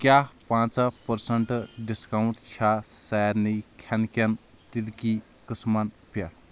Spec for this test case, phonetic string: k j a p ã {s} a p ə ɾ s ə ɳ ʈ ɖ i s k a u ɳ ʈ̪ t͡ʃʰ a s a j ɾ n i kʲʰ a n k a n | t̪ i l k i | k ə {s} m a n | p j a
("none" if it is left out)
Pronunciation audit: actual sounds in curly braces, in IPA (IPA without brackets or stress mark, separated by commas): t͡s, s